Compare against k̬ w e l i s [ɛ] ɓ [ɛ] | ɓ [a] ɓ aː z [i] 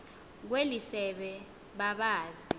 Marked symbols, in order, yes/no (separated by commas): yes, yes, yes, yes